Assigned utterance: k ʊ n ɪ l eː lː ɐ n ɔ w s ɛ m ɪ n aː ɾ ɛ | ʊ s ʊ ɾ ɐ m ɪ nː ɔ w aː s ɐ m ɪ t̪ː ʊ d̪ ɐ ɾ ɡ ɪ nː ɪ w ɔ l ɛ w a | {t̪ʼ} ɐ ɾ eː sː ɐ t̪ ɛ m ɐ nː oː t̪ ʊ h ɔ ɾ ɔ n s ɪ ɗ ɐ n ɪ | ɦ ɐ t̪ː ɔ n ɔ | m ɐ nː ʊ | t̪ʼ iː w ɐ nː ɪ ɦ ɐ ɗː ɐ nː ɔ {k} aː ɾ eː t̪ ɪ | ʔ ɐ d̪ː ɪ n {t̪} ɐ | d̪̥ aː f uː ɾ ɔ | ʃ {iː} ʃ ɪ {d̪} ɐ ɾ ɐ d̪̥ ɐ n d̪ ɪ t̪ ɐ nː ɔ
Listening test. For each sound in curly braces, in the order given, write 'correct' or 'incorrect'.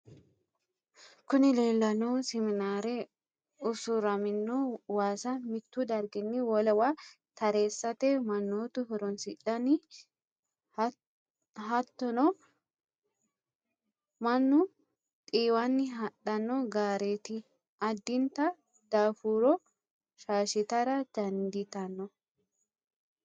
incorrect: t̪, incorrect: ɡ, correct, incorrect: aː, incorrect: t̪

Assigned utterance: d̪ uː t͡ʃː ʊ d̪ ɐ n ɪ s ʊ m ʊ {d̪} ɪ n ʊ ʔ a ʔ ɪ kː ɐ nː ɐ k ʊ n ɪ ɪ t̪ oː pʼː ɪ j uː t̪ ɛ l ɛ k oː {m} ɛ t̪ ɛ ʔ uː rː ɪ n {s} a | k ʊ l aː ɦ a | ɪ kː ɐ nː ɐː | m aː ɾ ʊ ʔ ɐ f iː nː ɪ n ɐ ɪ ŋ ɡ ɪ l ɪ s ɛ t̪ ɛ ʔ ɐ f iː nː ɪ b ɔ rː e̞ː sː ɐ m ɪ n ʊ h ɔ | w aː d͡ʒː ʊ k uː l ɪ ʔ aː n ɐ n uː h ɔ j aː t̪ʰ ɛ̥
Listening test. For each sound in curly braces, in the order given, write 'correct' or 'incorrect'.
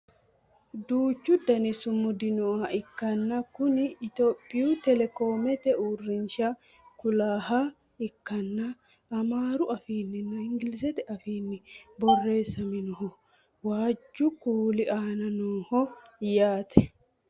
correct, correct, incorrect: ʃ

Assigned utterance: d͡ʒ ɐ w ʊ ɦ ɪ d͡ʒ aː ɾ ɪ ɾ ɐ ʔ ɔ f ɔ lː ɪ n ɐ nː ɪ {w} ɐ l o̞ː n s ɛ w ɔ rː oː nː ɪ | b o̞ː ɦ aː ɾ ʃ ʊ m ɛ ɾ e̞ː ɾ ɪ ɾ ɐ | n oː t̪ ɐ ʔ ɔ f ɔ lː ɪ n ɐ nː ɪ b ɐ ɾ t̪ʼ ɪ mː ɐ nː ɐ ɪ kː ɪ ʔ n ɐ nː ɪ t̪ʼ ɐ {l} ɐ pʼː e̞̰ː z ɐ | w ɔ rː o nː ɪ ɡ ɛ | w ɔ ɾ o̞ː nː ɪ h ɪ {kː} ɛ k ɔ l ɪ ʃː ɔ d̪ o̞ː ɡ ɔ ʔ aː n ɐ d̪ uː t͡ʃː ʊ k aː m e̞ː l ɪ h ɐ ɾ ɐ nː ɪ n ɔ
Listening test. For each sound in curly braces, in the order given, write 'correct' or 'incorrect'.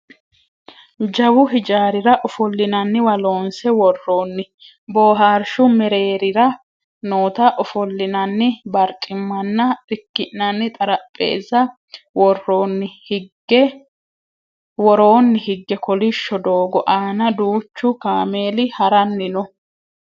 correct, incorrect: ɾ, incorrect: ɡː

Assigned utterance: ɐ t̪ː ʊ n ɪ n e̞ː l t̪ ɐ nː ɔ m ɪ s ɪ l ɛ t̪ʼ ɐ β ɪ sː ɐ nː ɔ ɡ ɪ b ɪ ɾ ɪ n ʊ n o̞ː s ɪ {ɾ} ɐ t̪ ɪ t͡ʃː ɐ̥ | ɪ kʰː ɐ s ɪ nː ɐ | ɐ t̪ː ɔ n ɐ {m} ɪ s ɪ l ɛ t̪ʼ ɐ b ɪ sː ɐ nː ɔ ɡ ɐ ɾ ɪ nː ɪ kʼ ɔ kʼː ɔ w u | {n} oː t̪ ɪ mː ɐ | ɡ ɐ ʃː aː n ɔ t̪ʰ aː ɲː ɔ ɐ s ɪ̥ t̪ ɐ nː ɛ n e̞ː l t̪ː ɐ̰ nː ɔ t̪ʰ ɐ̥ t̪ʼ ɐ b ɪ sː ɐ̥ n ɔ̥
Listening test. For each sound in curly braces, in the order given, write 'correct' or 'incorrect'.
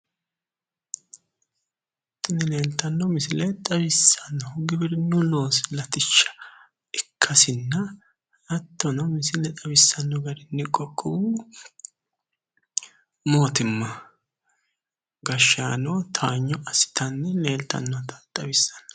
incorrect: l, correct, incorrect: m

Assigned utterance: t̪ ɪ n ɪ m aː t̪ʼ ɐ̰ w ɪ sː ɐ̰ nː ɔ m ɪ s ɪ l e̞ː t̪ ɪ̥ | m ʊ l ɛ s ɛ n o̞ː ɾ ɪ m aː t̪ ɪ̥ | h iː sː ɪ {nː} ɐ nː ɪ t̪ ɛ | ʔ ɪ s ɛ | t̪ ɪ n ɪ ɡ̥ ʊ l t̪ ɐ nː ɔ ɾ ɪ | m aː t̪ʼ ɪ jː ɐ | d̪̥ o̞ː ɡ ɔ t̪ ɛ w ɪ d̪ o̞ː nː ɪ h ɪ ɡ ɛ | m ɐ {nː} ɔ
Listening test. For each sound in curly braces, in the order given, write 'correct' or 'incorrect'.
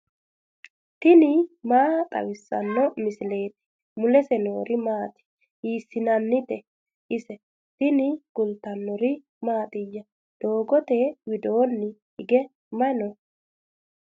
incorrect: n, incorrect: n

